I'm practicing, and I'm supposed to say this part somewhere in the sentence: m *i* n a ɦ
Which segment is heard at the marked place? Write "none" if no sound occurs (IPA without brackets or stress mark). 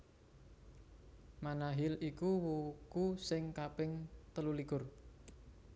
a